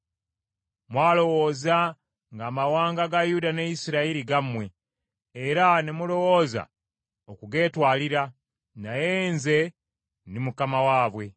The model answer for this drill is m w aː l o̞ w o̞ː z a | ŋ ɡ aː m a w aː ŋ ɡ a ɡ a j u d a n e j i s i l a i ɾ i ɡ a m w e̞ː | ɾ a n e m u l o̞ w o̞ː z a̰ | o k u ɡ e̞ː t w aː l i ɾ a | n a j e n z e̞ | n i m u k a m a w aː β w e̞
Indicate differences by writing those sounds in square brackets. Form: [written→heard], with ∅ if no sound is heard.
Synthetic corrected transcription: m w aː l o̞ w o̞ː z a | ŋ ɡ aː m a w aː ŋ ɡ a ɡ a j u d a n e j i s i [l→ɾ] a i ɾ i ɡ a m w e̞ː | ɾ a n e m u l o̞ w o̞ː z a̰ | o k u ɡ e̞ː t w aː l i ɾ a | n a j e n z e̞ | n i m u k a m a w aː β w e̞

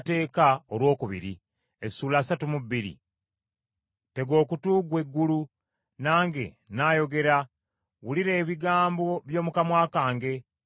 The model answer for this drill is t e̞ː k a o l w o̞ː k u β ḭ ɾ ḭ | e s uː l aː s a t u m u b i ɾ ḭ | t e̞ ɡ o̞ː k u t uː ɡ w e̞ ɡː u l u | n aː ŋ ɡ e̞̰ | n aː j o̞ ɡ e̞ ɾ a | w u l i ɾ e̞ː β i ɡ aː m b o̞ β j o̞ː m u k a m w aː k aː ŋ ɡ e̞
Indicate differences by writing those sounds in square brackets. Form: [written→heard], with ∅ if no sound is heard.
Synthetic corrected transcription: t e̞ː k a o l w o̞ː k u β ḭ ɾ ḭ | e s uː l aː s a t u m u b i ɾ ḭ | t e̞ ɡ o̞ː k u t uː ɡ w e̞ ɡː u l u | n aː ŋ ɡ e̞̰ | n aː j o̞ ɡ e̞ ɾ a | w u l i ɾ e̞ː β i ɡ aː m b o̞ β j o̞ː m u k a m w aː k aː ŋ ɡ e̞

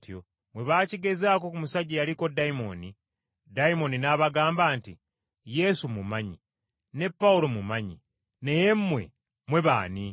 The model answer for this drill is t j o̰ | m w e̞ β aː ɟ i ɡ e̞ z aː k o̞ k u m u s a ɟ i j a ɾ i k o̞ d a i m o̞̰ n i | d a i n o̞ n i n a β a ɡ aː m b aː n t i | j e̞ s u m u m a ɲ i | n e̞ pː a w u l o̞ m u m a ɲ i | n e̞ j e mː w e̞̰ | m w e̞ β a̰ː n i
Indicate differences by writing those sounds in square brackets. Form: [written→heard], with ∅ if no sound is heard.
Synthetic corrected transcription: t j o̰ | m w e̞ β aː [ɟ→c] i ɡ e̞ z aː k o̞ k u m u s a ɟ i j a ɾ i k o̞ d a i m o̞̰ n i | d a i [n→m] o̞ n i n a β a ɡ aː m b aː n t i | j e̞ s u m u m a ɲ i | n e̞ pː a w u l o̞ m u m a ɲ i | n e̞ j e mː w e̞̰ | m w e̞ β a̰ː n i

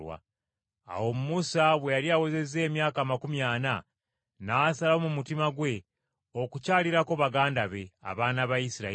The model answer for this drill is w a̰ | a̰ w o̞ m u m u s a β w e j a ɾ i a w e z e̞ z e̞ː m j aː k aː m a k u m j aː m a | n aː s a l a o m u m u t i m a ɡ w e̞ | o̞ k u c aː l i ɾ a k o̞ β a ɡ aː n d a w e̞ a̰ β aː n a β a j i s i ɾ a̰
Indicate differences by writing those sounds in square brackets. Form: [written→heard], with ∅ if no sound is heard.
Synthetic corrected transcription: w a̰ | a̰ w o̞ m u m u s a β w e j a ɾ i a w e z e̞ z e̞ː m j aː k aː m a k u m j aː [m→n] a | n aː s a l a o m u m u t i m a ɡ w e̞ | o̞ k u c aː l i ɾ a k o̞ β a ɡ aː n d a [w→β] e̞ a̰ β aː n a β a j i s i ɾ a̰

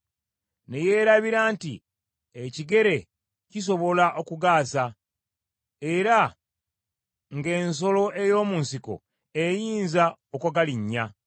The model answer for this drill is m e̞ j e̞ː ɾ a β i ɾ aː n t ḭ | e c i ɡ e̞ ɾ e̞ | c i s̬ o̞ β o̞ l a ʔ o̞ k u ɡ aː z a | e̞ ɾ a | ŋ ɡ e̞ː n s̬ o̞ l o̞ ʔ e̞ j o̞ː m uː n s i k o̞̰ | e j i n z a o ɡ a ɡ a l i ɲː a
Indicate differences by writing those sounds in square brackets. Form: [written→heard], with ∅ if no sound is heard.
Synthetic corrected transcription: [m→n] e̞ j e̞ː ɾ a β i ɾ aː n t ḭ | e c i ɡ e̞ ɾ e̞ | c i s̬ o̞ β o̞ l a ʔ o̞ k u ɡ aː [z→s] a | e̞ ɾ a | ŋ ɡ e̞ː n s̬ o̞ l o̞ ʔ e̞ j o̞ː m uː n s i k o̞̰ | e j [i→iː] n z a o [ɡ→k] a ɡ a l i ɲː a

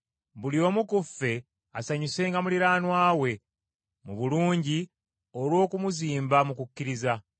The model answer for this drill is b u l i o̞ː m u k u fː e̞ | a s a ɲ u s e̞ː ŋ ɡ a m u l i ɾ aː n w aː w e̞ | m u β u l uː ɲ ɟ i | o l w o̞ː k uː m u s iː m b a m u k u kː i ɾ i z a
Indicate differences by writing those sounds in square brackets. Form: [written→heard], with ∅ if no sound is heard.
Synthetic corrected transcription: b u l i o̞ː m u k u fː e̞ | a s a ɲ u s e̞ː ŋ ɡ a m u l i ɾ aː n w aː w e̞ | m u β u l uː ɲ ɟ i | o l w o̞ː k [uː→u] m u [s→z] iː m b a m u k u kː i ɾ i z a

